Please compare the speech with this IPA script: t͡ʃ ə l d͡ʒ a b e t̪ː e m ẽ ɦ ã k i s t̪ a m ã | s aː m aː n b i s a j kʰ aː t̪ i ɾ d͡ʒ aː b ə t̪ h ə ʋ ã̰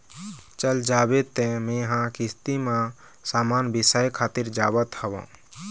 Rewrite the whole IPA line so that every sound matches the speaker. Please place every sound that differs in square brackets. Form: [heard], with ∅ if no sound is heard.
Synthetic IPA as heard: t͡ʃ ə l d͡ʒ a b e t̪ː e m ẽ ɦ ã k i s t̪ [i] m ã | s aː m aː n b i s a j kʰ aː t̪ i ɾ d͡ʒ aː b ə t̪ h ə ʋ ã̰